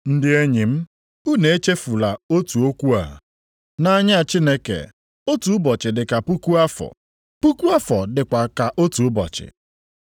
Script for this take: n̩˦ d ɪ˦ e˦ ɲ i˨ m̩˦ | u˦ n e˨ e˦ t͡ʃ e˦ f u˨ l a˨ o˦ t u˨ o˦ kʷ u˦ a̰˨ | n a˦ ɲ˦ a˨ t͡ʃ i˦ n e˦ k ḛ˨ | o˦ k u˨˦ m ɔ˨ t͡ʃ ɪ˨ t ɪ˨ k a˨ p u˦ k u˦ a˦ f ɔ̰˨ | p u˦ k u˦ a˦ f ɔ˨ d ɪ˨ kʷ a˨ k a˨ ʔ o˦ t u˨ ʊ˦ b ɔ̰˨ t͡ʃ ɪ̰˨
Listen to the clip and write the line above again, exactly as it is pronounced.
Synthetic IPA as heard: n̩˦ d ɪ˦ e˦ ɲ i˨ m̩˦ | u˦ n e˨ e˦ t͡ʃ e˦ f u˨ l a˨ o˦ t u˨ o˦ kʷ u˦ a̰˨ | n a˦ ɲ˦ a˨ t͡ʃ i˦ n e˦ k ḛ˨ | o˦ t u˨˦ b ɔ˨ t͡ʃ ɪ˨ d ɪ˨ k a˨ p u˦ k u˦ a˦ f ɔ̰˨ | p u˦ k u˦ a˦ f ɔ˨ d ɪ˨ kʷ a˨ k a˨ ʔ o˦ t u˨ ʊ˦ b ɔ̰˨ t͡ʃ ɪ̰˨